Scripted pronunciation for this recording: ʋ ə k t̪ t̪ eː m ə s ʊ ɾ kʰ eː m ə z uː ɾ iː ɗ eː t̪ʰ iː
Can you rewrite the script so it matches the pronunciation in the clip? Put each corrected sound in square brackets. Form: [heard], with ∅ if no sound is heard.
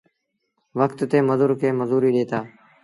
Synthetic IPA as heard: ʋ ə k t̪ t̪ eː m ə [z] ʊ ɾ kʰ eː m ə z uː ɾ iː ɗ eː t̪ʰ [aː]